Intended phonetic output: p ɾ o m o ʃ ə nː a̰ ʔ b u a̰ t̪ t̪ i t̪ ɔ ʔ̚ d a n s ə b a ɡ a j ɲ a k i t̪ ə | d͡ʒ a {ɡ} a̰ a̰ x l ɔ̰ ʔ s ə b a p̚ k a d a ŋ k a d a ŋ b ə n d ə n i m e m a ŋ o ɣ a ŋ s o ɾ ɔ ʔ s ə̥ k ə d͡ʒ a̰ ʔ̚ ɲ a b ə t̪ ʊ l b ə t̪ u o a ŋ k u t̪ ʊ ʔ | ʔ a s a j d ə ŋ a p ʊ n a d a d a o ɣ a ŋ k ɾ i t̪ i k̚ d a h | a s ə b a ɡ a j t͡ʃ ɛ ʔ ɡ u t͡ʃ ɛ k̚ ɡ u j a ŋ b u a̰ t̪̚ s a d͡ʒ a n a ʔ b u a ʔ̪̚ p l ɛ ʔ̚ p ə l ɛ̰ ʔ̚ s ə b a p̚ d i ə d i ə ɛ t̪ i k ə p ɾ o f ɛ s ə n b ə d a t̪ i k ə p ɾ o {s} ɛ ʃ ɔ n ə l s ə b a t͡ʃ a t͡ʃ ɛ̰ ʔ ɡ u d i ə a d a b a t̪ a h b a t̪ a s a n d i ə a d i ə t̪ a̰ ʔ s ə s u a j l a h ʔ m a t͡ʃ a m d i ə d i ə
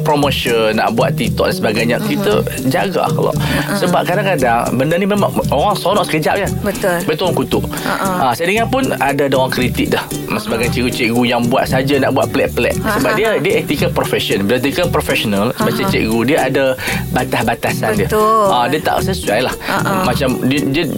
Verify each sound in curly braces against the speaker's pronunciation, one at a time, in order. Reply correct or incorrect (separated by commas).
correct, incorrect